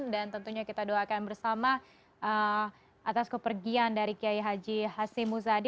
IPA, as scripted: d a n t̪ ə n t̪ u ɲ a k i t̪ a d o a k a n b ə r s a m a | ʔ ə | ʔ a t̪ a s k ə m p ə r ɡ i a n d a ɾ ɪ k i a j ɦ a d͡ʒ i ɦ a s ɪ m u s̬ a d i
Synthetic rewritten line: d a n t̪ ə n t̪ u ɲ a k i t̪ a d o a k a n b ə r s a m a | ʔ ə | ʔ a t̪ a s k ə p ə r ɡ i a n d a ɾ i k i a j ɦ a d͡ʒ i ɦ a s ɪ m u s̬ a d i

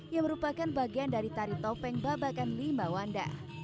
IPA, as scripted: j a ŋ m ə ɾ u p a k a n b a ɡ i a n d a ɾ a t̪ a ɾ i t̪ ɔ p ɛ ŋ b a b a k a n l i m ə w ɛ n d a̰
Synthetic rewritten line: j a ŋ m ə ɾ u p a k a n b a ɡ i a n d a ɾ i t̪ a ɾ i t̪ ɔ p ɛ ŋ b a b a k a n l i m a w a n d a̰

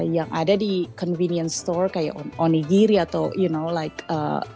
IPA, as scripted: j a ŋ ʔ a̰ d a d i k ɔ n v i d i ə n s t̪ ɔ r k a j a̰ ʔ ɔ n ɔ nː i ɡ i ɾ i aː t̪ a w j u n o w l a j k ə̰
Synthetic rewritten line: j a ŋ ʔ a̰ d a d i k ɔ n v i n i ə n s t̪ ɔ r k a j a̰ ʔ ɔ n ɔ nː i ɡ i ɾ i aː t̪ a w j u n o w l a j k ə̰

